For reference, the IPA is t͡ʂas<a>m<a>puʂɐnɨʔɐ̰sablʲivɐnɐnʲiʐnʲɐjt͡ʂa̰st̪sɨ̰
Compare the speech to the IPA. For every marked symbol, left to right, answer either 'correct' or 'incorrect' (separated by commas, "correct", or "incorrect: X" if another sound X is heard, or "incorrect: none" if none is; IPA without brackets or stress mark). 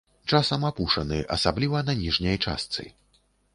incorrect: ɐ, correct